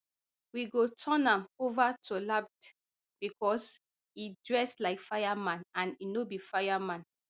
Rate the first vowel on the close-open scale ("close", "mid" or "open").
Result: close